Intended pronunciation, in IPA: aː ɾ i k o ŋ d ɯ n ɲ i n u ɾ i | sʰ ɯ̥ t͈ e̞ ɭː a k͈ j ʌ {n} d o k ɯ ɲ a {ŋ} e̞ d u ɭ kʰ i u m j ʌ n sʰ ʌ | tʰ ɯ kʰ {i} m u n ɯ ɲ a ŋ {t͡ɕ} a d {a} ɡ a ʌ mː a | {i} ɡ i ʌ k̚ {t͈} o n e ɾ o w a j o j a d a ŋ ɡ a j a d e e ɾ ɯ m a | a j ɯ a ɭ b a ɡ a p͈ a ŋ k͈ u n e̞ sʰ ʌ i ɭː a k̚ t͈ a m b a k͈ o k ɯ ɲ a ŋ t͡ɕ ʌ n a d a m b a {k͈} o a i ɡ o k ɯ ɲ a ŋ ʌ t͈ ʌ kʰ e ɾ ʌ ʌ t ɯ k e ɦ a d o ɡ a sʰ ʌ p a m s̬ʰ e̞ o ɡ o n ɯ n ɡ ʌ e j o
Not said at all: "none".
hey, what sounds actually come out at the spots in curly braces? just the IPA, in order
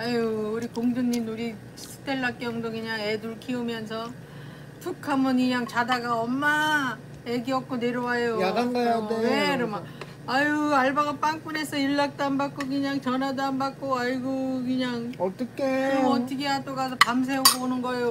ŋ, ŋ, a, t͡ɕ, a, e, k͈, k͈

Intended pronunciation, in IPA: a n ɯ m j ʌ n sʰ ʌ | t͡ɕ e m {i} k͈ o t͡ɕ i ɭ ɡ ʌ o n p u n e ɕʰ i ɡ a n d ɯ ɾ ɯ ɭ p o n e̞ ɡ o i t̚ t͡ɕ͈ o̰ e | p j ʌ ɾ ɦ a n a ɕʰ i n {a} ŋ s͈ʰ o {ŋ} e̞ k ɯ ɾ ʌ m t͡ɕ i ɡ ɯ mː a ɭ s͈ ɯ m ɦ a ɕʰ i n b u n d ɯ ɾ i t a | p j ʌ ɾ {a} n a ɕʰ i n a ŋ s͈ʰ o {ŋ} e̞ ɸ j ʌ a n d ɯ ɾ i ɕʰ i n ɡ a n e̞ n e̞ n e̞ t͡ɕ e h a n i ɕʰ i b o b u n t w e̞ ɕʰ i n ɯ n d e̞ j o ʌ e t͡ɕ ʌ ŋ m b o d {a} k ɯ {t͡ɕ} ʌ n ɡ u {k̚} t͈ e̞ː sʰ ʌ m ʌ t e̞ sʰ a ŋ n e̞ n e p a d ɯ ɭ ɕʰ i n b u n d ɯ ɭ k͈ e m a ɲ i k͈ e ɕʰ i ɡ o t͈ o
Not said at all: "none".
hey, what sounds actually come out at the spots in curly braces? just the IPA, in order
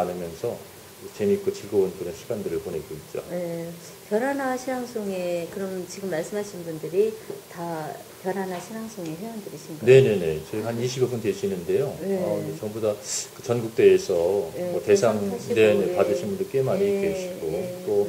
i, a, ŋ, a, ŋ, a, t͡ɕ, k̚

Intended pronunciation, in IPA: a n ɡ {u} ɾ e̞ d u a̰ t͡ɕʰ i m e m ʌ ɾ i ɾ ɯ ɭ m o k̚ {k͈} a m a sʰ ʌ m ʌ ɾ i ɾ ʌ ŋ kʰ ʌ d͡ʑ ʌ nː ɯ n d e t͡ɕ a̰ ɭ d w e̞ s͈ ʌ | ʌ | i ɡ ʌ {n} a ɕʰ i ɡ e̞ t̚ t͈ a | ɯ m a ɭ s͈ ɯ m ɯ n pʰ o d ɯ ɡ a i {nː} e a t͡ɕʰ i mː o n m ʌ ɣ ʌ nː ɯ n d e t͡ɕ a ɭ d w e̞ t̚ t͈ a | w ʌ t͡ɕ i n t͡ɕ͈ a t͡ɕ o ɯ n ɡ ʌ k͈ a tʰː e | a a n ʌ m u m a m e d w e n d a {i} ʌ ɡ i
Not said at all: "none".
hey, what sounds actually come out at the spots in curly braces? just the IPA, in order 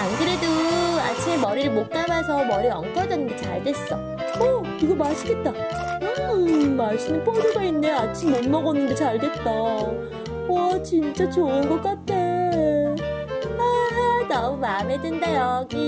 ɯ, k͈, m, nː, j

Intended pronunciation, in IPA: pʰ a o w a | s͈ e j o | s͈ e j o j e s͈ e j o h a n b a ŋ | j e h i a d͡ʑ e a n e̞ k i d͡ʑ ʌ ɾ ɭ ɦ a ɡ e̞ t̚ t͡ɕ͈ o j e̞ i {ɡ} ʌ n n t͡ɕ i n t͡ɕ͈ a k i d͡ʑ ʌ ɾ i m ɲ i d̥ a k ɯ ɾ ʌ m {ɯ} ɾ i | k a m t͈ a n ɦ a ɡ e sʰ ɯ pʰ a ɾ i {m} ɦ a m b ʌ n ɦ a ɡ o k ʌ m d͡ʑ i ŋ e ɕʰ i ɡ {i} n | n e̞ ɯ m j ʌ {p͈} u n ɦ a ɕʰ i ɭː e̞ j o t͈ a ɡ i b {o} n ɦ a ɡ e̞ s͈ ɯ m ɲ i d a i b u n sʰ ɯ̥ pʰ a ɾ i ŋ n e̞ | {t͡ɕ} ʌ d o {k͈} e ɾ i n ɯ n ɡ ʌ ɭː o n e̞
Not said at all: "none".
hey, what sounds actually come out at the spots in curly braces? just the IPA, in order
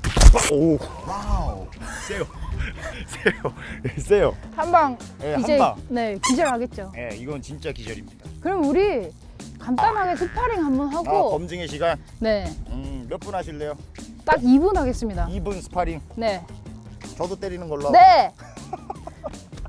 ɡ, u, ŋ, a, p͈, u, t͡ɕ, t͈

